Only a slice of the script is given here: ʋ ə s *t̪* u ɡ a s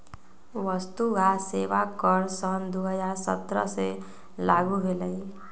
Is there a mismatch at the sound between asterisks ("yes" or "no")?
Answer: no